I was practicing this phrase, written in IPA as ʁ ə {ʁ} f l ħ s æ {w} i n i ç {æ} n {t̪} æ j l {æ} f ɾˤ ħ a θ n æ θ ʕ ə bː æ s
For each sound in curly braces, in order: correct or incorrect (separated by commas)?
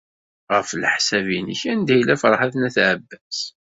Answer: incorrect, incorrect, correct, incorrect, correct